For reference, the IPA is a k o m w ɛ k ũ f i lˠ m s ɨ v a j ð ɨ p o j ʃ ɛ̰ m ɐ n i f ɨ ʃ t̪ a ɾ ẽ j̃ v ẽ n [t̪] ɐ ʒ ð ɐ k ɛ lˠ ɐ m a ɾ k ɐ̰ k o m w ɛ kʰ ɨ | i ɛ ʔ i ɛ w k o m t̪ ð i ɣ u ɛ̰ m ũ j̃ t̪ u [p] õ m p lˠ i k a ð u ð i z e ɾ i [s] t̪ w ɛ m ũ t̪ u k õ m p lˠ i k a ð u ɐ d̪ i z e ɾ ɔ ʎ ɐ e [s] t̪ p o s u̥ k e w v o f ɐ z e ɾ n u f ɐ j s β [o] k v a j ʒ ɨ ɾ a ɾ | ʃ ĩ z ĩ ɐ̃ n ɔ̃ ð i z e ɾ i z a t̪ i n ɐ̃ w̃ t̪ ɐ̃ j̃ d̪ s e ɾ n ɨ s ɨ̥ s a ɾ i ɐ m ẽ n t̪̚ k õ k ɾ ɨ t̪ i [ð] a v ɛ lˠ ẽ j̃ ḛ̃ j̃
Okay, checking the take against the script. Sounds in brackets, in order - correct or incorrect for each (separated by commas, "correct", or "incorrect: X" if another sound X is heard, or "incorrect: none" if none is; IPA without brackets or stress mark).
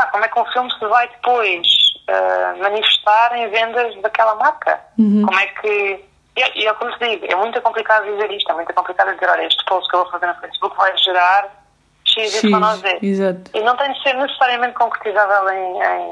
incorrect: d̪, incorrect: k, incorrect: ʃ, incorrect: ʃ, incorrect: u, incorrect: z